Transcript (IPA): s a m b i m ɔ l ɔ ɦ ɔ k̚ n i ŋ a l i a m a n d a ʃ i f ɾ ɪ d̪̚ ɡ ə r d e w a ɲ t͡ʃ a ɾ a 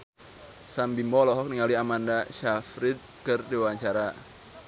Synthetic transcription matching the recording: s a m b i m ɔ l ɔ ɦ ɔ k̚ n i ŋ a l i a m a n d a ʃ a f ɾ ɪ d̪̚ k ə r d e w a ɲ t͡ʃ a ɾ a